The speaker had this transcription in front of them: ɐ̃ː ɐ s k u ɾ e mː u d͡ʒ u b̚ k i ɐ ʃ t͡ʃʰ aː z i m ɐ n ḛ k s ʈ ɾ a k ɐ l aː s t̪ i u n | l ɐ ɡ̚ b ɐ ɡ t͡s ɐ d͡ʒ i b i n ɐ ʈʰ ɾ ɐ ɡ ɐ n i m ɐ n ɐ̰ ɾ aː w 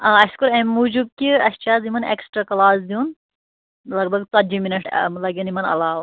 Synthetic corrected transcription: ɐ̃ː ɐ s k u ɾ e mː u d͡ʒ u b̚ k i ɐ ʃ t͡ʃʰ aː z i m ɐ n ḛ k s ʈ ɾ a k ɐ l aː s d̪ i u n | l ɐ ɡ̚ b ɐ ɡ t͡s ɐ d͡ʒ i m i n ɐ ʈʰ l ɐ ɡ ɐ n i m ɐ n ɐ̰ l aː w